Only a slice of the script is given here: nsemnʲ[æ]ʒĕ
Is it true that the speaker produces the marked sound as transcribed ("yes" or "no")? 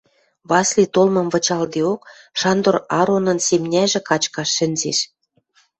yes